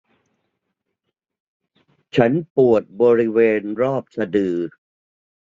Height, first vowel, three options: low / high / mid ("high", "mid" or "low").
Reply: low